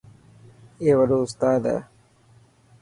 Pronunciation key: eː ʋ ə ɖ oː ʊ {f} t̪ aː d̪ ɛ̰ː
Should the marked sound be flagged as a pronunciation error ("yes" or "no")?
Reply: yes